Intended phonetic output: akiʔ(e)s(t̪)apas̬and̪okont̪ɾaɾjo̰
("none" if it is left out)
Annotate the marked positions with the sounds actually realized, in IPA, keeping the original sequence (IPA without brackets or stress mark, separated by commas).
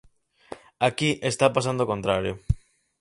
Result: e, t̪